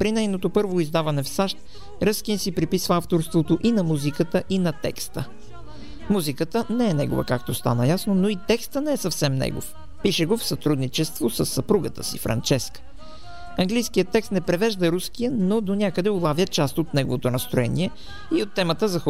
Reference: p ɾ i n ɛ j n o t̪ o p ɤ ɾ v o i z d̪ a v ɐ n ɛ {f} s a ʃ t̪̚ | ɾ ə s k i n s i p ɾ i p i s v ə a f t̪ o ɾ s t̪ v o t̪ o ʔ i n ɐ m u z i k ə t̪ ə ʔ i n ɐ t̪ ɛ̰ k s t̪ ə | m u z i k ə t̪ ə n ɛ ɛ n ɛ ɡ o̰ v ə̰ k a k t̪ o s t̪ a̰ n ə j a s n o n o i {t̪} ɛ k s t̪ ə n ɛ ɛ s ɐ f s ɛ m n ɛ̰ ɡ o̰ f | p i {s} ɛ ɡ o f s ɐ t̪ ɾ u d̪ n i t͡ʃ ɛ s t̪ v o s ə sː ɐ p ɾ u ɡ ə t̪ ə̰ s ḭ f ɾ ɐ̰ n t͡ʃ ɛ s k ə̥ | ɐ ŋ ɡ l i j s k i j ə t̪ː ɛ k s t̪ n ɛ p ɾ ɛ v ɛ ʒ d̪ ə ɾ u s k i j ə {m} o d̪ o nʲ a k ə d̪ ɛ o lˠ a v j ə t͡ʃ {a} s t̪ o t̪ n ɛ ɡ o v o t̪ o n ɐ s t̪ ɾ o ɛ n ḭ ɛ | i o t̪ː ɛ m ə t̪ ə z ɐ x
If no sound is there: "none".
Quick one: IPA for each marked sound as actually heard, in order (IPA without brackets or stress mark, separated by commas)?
f, t̪, ʃ, n, a